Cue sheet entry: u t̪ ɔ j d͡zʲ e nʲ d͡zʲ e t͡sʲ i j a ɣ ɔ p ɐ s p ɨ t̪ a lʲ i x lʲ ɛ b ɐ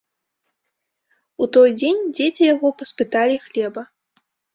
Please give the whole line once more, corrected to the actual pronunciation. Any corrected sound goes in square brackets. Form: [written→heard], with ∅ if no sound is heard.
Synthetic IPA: u t̪ ɔ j d͡zʲ e nʲ d͡zʲ e t͡sʲ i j a ɣ ɔ p ɐ s p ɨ t̪ a lʲ i x lʲ ɛ b ɐ